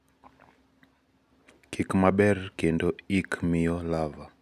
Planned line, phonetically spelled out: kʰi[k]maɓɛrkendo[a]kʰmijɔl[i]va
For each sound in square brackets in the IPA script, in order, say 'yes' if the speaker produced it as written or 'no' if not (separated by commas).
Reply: yes, no, no